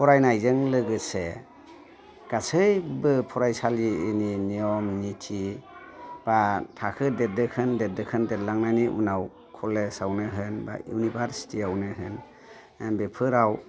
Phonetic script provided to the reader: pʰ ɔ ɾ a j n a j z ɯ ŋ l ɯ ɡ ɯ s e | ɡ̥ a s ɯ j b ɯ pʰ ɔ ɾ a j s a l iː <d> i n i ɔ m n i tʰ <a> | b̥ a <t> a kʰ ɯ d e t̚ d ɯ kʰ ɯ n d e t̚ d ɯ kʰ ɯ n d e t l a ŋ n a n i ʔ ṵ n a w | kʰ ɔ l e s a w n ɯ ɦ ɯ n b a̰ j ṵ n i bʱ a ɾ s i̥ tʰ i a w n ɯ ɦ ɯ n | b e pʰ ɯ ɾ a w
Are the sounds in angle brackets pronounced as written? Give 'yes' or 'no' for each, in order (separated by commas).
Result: no, no, no